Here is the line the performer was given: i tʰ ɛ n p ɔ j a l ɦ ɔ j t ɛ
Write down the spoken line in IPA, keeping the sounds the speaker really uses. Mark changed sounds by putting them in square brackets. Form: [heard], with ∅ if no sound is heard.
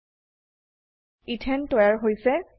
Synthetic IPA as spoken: i tʰ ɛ n [t] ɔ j a [ɹ] ɦ [o] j [s] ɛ